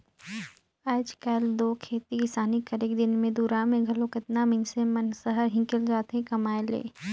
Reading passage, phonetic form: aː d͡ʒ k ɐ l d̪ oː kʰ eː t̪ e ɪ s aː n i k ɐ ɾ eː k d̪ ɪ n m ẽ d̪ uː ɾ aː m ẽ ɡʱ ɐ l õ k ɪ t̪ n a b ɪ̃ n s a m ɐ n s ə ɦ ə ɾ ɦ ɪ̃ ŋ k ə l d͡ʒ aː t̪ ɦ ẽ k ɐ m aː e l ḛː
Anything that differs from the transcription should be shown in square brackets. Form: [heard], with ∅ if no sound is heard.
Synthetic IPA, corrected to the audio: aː d͡ʒ k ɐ l d̪ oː kʰ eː t̪ [i] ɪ s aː n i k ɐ ɾ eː k d̪ ɪ n m ẽ d̪ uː ɾ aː m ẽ ɡʱ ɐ l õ k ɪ t̪ n a [m] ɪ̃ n s [e] m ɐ n s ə ɦ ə ɾ ɦ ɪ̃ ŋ k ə l d͡ʒ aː t̪ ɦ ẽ k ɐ m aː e l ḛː